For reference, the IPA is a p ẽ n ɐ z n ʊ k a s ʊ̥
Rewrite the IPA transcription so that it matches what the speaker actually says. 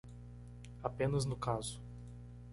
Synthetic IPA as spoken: a p ẽ n ɐ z n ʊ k a z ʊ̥